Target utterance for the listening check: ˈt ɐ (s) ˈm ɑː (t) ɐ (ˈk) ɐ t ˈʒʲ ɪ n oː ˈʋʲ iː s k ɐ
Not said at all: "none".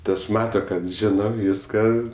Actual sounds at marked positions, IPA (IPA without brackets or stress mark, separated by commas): s, t, k